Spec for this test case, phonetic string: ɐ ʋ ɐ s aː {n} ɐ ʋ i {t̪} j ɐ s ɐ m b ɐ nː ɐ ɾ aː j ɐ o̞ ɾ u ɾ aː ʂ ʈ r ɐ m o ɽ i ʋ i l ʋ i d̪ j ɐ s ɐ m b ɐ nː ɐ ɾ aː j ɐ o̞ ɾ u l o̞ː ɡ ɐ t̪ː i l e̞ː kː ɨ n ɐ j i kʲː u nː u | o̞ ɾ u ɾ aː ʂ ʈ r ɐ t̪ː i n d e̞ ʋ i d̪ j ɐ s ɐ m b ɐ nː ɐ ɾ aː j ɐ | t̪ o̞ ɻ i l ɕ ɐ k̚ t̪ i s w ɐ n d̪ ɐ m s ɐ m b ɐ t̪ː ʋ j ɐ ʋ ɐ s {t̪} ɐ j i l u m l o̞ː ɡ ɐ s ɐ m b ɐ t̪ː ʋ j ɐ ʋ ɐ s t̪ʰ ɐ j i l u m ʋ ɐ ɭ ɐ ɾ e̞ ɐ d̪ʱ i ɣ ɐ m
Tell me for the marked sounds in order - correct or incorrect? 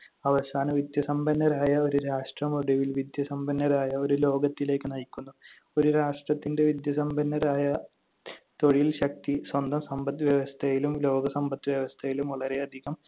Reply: correct, incorrect: d̪, incorrect: t̪ʰ

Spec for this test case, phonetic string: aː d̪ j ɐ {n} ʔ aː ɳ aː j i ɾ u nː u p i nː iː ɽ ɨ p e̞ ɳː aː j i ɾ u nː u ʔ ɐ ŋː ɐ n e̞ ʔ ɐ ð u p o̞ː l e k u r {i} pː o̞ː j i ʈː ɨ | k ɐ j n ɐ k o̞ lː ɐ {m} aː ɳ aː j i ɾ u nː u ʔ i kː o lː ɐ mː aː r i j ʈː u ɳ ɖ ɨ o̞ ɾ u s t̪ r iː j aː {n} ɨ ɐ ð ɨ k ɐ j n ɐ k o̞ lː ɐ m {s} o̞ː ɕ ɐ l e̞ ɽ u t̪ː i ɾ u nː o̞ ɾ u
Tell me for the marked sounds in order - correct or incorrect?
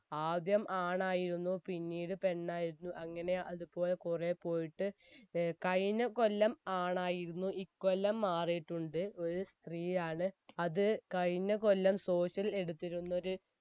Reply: incorrect: m, incorrect: e, correct, incorrect: ɳ, correct

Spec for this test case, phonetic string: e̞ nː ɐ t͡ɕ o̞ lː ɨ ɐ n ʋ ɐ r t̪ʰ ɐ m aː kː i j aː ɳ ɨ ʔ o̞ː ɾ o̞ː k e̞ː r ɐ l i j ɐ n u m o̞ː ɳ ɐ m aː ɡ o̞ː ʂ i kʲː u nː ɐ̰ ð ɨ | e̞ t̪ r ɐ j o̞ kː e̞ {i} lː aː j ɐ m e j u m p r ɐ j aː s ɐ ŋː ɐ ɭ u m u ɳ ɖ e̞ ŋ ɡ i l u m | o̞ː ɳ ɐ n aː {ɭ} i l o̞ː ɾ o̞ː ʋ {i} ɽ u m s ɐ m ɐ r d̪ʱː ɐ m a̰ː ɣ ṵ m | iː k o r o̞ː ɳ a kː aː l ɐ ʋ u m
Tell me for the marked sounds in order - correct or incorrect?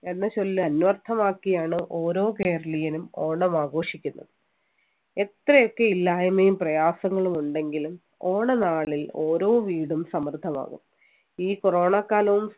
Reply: correct, correct, incorrect: iː

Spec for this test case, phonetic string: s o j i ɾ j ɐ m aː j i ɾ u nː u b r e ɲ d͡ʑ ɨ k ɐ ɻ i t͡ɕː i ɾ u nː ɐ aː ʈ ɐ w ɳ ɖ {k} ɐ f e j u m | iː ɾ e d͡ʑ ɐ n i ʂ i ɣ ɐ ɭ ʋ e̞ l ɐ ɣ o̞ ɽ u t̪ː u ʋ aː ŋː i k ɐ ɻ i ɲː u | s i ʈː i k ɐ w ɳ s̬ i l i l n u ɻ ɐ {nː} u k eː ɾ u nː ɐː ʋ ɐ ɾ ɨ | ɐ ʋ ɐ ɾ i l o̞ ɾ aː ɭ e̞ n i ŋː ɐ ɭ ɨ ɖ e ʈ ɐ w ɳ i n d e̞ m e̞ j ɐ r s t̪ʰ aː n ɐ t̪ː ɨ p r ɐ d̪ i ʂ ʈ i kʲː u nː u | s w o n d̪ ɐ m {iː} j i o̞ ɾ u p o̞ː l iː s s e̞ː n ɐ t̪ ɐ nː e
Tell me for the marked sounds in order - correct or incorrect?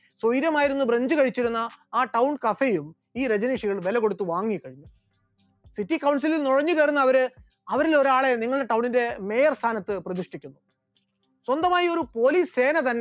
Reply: correct, incorrect: ɲː, incorrect: aː

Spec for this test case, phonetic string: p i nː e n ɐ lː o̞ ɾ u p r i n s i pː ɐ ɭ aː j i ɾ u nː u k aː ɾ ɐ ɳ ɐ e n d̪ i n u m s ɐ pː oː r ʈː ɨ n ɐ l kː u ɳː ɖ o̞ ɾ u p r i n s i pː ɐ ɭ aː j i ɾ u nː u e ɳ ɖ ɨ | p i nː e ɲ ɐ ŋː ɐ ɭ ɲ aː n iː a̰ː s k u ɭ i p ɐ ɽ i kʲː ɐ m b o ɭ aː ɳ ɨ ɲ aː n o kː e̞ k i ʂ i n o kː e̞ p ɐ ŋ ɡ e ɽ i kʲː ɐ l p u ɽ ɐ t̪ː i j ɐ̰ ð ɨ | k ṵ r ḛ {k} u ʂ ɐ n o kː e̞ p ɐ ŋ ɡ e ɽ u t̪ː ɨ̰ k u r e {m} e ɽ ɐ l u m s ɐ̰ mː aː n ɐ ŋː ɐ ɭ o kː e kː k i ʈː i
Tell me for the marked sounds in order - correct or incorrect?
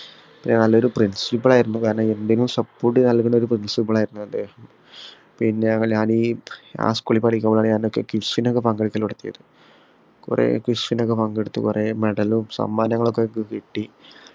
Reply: correct, correct

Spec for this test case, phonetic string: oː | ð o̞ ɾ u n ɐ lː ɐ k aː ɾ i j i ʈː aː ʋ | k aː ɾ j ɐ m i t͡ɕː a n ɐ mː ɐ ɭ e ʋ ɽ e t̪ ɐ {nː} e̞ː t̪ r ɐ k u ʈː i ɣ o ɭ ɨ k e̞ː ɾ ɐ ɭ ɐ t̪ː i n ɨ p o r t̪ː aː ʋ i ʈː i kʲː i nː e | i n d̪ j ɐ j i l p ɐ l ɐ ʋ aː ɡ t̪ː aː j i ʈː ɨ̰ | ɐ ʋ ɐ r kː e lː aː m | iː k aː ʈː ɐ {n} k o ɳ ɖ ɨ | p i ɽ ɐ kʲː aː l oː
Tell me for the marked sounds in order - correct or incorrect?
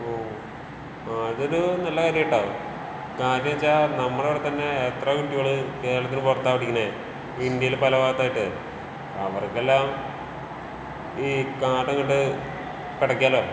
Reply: correct, incorrect: ŋ

